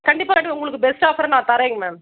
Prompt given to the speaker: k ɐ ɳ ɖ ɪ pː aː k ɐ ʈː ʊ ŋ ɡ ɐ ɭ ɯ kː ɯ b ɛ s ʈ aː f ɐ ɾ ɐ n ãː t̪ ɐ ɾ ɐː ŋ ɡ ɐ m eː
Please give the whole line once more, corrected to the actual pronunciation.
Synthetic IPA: k ɐ ɳ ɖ ɪ pː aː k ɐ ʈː ʊ ŋ ɡ ɐ ɭ ɯ kː ɯ b ɛ s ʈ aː f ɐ ɾ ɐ n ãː t̪ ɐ ɾ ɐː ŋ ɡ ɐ m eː